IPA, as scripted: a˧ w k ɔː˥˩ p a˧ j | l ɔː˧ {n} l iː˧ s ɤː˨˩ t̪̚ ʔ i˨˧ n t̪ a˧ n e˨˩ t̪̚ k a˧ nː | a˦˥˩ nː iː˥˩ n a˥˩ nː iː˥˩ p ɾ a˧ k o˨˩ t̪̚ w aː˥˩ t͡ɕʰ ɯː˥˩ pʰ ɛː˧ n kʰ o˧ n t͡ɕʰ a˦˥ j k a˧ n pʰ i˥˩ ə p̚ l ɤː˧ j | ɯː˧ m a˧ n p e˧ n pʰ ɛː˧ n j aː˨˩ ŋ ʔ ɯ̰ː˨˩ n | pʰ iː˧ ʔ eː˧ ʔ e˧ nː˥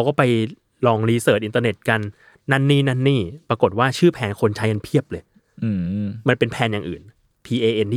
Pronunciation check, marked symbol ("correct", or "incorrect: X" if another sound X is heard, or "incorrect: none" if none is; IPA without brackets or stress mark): incorrect: ŋ